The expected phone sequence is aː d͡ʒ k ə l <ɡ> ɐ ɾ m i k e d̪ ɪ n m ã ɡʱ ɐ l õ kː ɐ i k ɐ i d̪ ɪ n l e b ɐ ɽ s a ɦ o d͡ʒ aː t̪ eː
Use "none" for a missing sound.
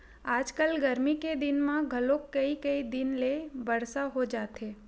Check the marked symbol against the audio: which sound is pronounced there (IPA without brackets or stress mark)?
ɡ